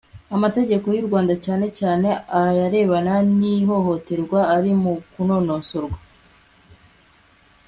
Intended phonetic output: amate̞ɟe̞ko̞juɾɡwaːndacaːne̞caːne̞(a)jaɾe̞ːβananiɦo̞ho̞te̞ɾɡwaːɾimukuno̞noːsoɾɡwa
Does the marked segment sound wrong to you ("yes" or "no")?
no